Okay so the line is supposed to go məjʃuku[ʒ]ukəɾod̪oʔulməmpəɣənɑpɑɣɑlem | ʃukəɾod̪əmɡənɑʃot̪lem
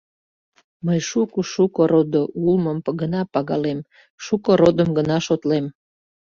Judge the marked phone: incorrect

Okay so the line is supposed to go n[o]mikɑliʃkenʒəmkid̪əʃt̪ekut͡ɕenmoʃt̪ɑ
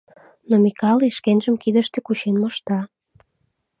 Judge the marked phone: correct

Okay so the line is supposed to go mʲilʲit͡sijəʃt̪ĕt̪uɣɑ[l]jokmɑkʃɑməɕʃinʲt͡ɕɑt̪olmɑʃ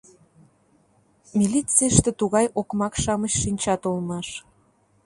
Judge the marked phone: incorrect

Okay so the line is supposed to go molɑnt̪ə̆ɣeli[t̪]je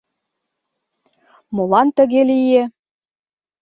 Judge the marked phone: incorrect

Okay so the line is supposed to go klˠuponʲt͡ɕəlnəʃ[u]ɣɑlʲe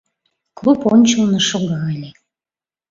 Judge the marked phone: incorrect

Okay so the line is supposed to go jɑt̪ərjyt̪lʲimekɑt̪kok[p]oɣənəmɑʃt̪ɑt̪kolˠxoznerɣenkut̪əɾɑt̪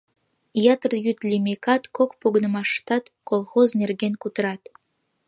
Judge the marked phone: correct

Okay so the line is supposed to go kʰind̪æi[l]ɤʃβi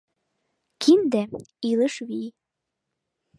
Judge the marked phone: correct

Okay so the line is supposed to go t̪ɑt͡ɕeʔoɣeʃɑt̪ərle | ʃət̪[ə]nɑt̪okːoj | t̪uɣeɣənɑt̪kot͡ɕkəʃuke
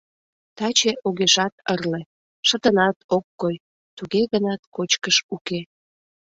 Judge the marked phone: correct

